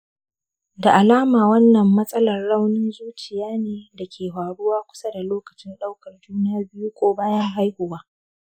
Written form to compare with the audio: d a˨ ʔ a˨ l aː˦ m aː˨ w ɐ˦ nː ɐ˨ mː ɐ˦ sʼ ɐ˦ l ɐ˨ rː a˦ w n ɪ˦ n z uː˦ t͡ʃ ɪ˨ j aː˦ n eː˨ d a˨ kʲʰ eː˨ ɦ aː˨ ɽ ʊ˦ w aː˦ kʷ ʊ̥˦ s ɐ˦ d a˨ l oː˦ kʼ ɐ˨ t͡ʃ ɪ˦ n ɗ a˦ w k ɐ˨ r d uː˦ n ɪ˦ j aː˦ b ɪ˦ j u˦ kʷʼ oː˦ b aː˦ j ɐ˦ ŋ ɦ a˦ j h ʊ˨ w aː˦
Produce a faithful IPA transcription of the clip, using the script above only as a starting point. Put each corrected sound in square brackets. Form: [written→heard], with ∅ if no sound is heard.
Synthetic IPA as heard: d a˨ ʔ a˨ l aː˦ m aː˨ w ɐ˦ nː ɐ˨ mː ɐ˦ sʼ ɐ˦ l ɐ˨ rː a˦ w n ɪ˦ n z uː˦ t͡ʃ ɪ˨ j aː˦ n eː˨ d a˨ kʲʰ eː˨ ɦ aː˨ ɽ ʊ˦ w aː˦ kʷ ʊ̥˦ s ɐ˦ d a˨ l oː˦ [kʼ→k] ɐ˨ t͡ʃ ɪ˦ n ɗ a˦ w k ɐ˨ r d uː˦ n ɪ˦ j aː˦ b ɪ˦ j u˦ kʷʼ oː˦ b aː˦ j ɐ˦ ŋ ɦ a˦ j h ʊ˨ w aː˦